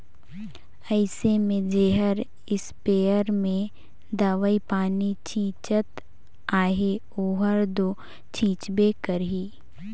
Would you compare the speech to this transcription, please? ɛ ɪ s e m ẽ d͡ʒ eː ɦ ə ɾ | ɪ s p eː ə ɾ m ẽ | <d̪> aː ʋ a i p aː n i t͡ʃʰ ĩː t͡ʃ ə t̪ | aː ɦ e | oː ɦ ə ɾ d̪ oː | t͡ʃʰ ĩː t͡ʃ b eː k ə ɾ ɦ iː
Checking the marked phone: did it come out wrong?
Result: no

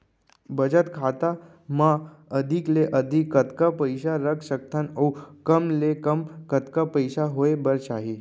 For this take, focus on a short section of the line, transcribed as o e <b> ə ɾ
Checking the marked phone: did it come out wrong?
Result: no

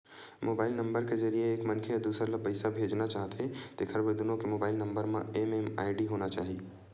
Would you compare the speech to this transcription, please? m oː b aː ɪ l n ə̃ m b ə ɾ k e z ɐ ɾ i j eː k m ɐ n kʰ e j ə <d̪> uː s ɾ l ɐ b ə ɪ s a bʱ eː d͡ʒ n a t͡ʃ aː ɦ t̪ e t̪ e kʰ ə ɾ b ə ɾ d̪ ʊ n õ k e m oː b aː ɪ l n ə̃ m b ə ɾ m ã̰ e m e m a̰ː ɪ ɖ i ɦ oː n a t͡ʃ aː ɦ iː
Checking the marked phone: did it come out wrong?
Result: no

